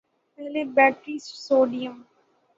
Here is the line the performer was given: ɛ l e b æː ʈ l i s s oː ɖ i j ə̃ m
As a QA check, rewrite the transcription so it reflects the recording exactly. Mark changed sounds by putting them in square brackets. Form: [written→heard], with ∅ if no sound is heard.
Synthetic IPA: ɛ l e b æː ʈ [l→ɾ] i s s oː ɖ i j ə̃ m

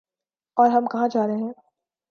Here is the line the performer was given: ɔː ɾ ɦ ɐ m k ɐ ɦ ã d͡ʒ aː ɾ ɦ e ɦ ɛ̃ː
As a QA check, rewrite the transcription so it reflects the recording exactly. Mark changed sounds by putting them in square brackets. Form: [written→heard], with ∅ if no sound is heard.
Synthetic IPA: ɔː ɾ ɦ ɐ m k ɐ ɦ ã d͡ʒ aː ɾ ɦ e ɦ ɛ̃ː

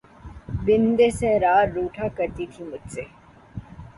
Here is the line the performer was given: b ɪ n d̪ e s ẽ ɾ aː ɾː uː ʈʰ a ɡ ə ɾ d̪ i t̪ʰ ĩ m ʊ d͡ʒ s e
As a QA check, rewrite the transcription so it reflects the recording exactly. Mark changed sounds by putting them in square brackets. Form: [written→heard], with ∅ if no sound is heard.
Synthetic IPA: b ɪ n d̪ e s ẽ ɾ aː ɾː uː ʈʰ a [ɡ→k] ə ɾ [d̪→t̪] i t̪ʰ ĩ m ʊ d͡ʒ s e

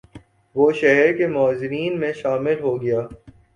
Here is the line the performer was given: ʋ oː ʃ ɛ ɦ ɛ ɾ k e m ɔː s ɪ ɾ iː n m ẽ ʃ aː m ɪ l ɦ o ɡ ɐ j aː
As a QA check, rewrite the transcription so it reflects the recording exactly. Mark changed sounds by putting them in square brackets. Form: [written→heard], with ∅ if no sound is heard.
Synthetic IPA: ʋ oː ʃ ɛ ɦ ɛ ɾ k e m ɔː [s→z] ɪ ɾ iː n m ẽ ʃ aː m ɪ l ɦ o ɡ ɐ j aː

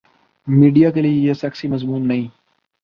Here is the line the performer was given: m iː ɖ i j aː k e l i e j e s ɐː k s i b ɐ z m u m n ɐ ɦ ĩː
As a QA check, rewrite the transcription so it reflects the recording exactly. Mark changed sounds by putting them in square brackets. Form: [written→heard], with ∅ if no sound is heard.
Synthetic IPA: m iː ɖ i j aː k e l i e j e s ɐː k s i [b→m] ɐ z m [u→uː] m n ɐ ɦ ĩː

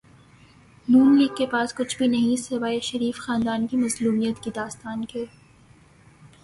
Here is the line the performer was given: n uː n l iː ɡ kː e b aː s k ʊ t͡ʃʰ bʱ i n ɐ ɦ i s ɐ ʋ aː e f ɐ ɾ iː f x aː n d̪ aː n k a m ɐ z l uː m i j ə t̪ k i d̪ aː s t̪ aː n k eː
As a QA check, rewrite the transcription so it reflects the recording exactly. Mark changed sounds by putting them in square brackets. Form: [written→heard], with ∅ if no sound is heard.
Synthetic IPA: n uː n l iː ɡ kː e [b→p] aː s k ʊ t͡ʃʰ bʱ i n ɐ ɦ [i→ĩ] s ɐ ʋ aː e [f→ʃ] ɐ ɾ iː f x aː n d̪ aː n k [a→i] m ɐ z l uː m i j ə t̪ k i d̪ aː s t̪ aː n k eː

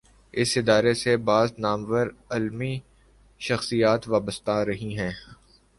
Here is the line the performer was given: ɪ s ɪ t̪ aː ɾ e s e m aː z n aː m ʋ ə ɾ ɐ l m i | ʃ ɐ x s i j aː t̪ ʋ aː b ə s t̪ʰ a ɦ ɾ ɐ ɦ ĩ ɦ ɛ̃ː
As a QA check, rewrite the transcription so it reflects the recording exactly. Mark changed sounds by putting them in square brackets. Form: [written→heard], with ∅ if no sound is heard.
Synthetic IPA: ɪ s ɪ [t̪→d̪] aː ɾ e s e [m→b] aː z n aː m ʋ ə ɾ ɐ l m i | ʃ ɐ x s i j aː t̪ ʋ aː b ə s [t̪ʰ→t̪] a [ɦ→∅] ɾ ɐ ɦ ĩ ɦ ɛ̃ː

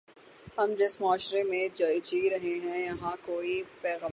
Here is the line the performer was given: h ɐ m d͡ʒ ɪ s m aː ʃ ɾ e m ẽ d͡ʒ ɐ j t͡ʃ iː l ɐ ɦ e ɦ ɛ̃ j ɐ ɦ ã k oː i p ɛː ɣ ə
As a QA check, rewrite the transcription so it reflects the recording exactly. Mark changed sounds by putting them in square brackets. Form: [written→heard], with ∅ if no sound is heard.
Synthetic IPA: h ɐ m d͡ʒ ɪ s m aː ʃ ɾ e m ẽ d͡ʒ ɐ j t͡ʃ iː [l→ɾ] ɐ ɦ e ɦ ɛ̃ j ɐ ɦ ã k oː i p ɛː ɣ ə

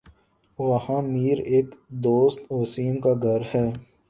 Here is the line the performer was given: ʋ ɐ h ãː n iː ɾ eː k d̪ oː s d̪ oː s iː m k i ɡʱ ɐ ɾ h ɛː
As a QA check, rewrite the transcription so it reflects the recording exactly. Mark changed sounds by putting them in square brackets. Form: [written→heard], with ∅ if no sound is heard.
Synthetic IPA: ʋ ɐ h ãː [n→m] iː ɾ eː k d̪ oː s [d̪→t̪] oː s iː m k [i→a] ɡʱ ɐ ɾ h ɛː

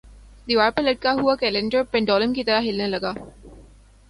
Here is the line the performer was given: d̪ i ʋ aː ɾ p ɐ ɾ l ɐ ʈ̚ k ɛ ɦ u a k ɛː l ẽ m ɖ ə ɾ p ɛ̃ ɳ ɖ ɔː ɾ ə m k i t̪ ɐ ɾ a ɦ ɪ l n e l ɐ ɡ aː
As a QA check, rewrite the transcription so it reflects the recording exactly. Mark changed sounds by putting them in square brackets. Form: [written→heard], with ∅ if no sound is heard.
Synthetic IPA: d̪ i ʋ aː ɾ p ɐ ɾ l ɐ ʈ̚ k [ɛ→a] ɦ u a k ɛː l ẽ [m→ɳ] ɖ ə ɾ p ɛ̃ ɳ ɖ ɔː [ɾ→l] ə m k i t̪ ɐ ɾ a ɦ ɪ l n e l ɐ ɡ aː

